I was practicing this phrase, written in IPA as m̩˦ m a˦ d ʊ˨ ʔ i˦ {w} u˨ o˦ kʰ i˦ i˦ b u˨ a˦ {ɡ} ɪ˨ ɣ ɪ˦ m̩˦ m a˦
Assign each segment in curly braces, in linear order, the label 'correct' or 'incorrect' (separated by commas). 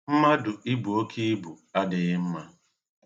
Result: incorrect, incorrect